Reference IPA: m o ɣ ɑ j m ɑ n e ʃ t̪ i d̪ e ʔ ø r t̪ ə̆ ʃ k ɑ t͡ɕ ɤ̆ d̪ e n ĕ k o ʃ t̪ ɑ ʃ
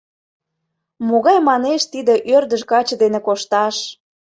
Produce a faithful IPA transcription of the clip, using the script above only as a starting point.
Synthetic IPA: m o ɣ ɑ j m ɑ n e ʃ t̪ i d̪ e ʔ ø r d̪ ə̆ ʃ k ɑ t͡ɕ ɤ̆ d̪ e n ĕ k o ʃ t̪ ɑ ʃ